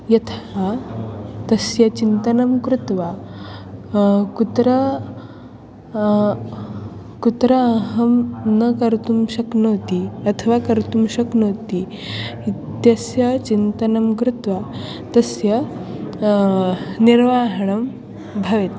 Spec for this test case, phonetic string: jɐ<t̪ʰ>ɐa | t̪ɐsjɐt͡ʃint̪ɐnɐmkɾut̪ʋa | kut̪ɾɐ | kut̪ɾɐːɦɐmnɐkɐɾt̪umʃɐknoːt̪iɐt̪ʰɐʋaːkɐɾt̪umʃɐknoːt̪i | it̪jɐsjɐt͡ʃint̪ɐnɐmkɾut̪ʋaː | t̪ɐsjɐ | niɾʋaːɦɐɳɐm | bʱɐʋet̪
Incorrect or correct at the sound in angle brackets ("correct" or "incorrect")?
correct